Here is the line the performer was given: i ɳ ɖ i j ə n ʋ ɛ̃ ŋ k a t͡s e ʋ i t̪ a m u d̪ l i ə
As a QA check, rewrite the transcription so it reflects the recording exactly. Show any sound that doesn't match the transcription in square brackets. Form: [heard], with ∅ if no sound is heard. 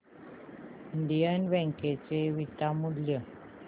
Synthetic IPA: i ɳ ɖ i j ə n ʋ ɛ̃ ŋ k [e] t͡s e ʋ i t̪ a m u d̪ l [j] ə